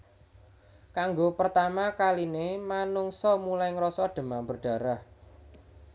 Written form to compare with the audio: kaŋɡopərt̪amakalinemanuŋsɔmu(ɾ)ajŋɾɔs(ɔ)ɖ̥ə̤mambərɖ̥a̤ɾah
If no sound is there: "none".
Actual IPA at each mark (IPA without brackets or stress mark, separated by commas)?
l, ɔ